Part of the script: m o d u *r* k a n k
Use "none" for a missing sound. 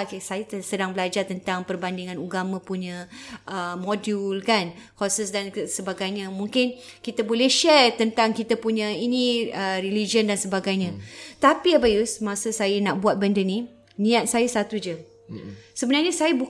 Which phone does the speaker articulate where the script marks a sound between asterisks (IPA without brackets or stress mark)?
l